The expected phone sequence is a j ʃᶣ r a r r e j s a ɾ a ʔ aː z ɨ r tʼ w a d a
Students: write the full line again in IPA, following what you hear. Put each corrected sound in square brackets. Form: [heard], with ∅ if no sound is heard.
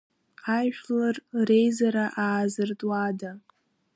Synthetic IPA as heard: a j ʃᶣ [l] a r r e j [z] a ɾ a ʔ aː z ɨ r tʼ w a d a